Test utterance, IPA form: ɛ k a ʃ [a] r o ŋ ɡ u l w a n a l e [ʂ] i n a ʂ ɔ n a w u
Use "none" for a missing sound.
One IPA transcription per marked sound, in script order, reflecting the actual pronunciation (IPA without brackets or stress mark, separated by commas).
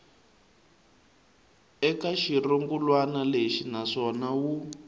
i, ʃ